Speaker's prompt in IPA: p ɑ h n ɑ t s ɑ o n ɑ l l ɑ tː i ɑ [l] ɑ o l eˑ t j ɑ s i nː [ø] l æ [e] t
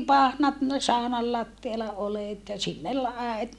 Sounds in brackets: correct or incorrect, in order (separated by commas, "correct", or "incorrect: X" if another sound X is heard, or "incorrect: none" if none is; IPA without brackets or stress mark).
correct, incorrect: e, correct